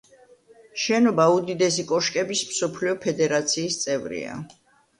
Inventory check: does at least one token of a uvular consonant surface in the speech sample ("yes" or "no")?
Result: no